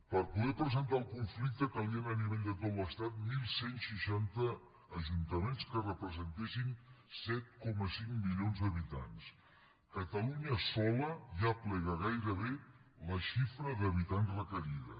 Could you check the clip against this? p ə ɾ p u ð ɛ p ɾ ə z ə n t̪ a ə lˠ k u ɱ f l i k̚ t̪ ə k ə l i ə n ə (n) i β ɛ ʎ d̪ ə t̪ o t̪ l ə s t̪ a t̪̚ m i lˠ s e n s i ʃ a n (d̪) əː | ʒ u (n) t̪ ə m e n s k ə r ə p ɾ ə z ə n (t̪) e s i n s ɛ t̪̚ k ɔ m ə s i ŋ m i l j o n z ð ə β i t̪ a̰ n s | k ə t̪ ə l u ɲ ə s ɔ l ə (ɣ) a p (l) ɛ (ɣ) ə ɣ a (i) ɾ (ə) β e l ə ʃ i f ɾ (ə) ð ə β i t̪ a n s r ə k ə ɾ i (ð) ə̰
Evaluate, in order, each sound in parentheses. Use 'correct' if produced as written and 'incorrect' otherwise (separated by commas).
correct, incorrect, correct, correct, incorrect, correct, correct, incorrect, correct, correct, correct